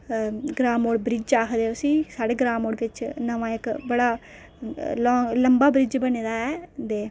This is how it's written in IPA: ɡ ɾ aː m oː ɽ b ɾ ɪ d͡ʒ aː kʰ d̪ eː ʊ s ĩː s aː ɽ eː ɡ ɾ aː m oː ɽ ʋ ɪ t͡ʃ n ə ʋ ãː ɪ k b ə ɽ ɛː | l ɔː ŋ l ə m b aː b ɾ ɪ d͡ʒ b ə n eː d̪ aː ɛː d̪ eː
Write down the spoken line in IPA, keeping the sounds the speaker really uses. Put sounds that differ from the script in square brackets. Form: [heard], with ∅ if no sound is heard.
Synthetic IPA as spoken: ɡ ɾ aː m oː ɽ b ɾ ɪ d͡ʒ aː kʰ d̪ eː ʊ s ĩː s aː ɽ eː ɡ ɾ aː m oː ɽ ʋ ɪ t͡ʃ n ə ʋ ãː ɪ k b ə ɽ [aː] | l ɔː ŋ l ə m b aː b ɾ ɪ d͡ʒ b ə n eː d̪ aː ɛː d̪ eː